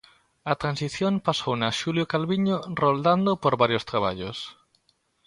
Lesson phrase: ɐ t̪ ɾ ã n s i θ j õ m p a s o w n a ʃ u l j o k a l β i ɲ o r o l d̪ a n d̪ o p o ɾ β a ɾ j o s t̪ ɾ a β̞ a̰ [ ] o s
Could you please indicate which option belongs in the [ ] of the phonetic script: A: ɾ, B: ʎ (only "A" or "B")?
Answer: B